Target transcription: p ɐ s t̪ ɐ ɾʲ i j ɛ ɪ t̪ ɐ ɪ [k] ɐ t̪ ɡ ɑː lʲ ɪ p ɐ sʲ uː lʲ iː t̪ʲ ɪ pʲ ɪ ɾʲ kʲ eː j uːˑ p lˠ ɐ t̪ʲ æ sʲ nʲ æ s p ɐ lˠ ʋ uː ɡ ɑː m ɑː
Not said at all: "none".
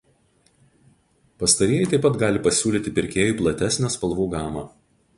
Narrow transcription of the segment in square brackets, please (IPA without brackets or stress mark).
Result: p